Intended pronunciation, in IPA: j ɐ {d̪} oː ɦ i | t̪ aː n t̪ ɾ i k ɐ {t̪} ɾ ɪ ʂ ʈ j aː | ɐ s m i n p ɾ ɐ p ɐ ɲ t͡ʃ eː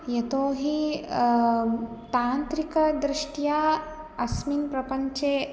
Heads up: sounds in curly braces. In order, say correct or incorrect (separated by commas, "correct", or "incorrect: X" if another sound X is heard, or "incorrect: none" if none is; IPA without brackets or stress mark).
incorrect: t̪, incorrect: d̪